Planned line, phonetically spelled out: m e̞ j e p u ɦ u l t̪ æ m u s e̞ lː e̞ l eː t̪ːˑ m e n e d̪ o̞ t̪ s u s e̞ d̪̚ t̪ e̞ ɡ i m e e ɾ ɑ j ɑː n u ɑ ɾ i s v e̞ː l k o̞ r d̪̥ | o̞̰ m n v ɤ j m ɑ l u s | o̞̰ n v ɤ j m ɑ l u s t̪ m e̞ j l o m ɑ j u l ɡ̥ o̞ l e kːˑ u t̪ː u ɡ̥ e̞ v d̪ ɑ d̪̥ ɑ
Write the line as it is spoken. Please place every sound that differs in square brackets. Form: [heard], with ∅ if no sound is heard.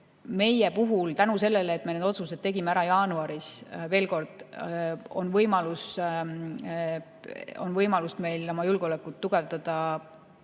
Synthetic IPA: m e̞ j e p u ɦ u l t̪ æ [n] u s e̞ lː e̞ l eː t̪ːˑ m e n e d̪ o̞ t̪ s u s e̞ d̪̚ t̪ e̞ ɡ i m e [æ] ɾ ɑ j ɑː n u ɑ ɾ i s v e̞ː l k o̞ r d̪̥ | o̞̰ [∅] n v ɤ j m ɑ l u s | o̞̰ n v ɤ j m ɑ l u s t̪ m e̞ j l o m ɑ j u l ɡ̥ o̞ l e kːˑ u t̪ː u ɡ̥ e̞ v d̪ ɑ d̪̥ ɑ